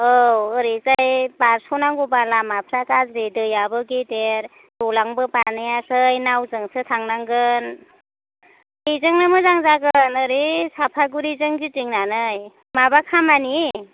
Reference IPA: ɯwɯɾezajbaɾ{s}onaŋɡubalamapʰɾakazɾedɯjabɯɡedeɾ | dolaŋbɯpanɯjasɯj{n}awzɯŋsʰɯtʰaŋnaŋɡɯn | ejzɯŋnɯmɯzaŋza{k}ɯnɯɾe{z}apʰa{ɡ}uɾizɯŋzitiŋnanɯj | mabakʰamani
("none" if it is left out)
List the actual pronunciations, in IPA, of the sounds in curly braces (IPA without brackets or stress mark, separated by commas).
s, n, ɡ, s, ɡ